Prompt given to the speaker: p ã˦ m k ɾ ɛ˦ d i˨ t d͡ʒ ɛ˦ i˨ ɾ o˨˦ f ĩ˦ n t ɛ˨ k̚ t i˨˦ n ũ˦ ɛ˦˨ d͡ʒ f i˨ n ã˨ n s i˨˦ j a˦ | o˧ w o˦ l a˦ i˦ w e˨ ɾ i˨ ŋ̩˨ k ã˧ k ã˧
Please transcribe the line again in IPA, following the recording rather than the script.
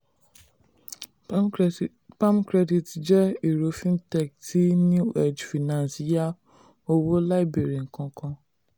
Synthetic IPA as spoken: p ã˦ m k ɾ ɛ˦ d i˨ t d͡ʒ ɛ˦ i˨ ɾ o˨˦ f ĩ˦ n t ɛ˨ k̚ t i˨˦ n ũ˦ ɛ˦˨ d͡ʒ f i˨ n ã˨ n s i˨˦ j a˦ | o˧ w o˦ l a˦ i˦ b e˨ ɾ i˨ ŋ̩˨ k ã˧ k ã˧

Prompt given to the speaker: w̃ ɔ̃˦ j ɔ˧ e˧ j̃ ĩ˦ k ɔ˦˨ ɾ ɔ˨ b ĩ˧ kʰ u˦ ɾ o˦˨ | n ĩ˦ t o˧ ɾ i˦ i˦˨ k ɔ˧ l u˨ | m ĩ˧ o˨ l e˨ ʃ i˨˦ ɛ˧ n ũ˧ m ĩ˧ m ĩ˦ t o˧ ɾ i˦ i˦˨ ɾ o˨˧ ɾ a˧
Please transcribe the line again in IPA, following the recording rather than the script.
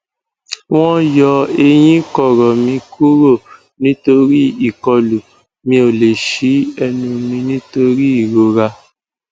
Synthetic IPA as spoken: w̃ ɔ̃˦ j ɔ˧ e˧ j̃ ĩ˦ k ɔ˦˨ ɾ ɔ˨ m ĩ˧ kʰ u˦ ɾ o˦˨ | n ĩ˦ t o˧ ɾ i˦ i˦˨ k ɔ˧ l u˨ | m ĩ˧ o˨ l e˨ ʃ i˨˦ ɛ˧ n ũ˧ m ĩ˧ n ĩ˦ t o˧ ɾ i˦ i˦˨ ɾ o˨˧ ɾ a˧

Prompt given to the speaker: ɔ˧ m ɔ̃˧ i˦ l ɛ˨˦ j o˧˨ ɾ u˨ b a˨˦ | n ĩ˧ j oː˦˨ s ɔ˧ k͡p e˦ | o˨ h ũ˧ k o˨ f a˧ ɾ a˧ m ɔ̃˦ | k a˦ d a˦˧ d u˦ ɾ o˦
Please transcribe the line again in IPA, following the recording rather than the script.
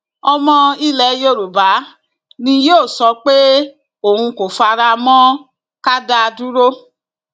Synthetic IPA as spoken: ɔ˧ m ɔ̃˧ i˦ l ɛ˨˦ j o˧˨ ɾ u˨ b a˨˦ | n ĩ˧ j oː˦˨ s ɔ˧ k͡p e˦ | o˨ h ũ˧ k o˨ f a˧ ɾ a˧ m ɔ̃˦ | k a˦ d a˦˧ d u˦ ɾ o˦

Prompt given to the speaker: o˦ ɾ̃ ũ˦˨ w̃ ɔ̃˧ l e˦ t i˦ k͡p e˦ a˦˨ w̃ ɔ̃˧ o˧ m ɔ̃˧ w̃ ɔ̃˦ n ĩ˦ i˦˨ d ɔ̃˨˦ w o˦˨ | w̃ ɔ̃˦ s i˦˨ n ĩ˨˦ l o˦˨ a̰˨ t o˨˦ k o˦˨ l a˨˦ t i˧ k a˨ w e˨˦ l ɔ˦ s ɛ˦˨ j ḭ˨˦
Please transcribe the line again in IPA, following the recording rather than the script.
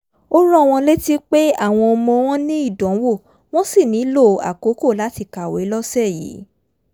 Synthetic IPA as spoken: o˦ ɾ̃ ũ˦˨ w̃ ɔ̃˧ l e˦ t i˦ k͡p e˦ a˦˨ w̃ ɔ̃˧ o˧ m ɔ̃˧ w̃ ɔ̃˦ n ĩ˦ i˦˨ d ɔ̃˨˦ w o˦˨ | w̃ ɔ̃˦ s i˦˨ n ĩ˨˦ l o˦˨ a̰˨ k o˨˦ k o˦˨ l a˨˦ t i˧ k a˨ w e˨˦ l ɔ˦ s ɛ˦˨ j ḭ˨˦

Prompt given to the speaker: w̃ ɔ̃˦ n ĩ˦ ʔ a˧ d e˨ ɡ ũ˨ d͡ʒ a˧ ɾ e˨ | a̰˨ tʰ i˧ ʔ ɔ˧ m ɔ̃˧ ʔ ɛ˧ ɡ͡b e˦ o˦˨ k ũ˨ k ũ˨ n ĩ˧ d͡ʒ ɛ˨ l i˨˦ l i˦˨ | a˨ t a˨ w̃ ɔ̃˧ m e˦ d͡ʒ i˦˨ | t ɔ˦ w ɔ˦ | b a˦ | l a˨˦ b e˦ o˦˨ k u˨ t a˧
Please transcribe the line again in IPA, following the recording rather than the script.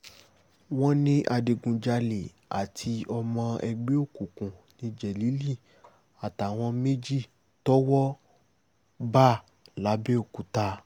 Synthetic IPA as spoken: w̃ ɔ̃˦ n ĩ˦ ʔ a˧ d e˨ ɡ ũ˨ d͡ʒ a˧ l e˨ | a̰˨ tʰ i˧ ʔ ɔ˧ m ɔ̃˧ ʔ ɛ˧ ɡ͡b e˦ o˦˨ k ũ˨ k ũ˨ n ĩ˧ d͡ʒ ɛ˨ l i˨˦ l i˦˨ | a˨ t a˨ w̃ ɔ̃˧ m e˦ d͡ʒ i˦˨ | t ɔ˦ w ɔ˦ | b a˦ | l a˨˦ b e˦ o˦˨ k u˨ t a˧

